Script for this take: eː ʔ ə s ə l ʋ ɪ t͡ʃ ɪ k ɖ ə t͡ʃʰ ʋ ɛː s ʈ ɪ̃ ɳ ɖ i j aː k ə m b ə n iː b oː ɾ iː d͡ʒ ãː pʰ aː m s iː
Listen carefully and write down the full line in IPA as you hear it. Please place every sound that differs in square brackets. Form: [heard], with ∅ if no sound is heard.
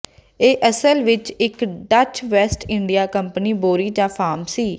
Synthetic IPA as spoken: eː ʔ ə s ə l ʋ ɪ t͡ʃ ɪ k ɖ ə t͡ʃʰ ʋ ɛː s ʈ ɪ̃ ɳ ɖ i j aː k ə m [p] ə n iː b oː ɾ iː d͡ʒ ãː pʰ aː m s iː